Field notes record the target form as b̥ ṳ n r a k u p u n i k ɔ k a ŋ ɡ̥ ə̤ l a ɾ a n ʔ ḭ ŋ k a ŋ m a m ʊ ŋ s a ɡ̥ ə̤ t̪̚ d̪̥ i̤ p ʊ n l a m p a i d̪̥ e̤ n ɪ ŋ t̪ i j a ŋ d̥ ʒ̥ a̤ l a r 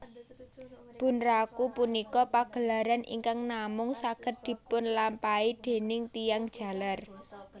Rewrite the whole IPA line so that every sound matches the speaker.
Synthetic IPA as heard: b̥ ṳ n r a k u p u n i k ɔ p a ɡ̥ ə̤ l a ɾ a n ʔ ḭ ŋ k a ŋ n a m ʊ ŋ s a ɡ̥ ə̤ t̪̚ d̪̥ i̤ p ʊ n l a m p a i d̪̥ e̤ n ɪ ŋ t̪ i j a ŋ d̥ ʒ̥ a̤ l a r